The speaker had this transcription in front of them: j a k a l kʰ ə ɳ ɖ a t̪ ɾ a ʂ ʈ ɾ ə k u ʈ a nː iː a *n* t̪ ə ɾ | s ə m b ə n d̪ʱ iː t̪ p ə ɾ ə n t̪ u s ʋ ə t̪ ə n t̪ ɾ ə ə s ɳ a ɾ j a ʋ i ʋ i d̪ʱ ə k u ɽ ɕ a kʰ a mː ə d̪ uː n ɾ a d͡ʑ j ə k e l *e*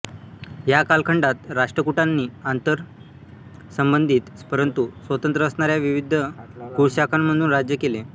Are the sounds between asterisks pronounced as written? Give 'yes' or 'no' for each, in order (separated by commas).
yes, yes